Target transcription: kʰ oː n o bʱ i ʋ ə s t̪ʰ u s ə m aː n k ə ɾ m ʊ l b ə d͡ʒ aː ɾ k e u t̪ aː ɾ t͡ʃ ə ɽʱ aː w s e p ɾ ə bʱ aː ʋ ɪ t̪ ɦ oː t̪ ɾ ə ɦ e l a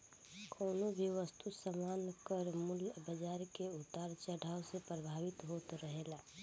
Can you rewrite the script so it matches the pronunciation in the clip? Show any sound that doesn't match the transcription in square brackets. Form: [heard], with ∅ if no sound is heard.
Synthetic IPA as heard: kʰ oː n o bʱ i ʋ ə s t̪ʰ u s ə m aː n k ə ɾ m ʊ l b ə d͡ʒ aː ɾ k e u t̪ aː ɾ t͡ʃ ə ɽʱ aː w s e p ɾ ə bʱ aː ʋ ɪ t̪ ɦ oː t̪ ɾ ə ɦ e l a